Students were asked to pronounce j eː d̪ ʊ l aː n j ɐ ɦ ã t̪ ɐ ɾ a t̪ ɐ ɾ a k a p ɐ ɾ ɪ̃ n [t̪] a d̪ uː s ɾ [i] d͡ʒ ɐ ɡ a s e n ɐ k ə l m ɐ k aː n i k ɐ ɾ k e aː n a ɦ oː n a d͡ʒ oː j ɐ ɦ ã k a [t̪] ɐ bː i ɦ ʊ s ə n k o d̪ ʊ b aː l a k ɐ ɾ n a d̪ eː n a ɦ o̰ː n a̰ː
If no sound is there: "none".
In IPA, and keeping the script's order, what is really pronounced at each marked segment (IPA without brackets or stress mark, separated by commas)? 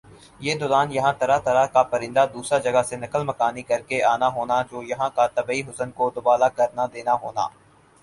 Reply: d̪, a, t̪